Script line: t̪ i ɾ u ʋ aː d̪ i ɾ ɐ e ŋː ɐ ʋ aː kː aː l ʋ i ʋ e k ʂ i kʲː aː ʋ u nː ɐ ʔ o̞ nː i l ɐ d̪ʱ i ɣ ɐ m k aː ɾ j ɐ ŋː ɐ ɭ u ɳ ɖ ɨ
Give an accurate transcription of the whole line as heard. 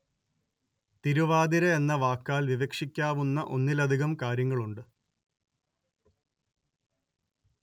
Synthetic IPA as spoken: t̪ i ɾ u ʋ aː d̪ i ɾ ɐ e nː ɐ ʋ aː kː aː l ʋ i ʋ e k ʂ i kʲː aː ʋ u nː ɐ ʔ o̞ nː i l ɐ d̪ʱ i ɣ ɐ m k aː ɾ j ɐ ŋː ɐ ɭ u ɳ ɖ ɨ